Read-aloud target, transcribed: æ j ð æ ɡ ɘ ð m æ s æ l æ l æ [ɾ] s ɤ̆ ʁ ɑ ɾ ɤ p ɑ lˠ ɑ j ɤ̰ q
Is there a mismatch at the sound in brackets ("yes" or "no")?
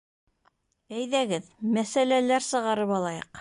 no